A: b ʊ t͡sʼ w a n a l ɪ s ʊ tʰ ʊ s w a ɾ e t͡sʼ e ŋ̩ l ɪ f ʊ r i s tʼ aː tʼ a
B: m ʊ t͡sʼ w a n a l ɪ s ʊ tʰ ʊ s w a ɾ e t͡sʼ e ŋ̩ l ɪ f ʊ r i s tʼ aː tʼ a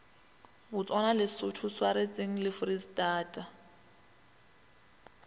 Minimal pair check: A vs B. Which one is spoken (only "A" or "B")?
A